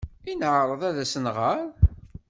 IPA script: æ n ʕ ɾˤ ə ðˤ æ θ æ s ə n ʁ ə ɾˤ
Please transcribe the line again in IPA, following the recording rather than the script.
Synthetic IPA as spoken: i n ʕ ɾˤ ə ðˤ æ ð æ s ə n ʁ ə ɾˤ